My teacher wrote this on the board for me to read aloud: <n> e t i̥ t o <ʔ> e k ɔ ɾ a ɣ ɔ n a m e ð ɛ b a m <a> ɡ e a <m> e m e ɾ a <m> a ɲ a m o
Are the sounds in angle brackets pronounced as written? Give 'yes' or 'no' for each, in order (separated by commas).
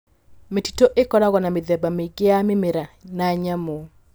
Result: no, yes, no, yes, no